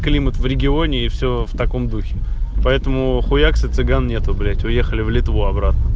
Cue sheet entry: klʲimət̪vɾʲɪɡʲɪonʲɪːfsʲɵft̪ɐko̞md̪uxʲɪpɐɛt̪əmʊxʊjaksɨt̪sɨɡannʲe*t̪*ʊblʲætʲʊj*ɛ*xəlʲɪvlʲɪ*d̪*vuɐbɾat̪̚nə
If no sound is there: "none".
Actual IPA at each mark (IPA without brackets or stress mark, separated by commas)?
t̪, e, t̪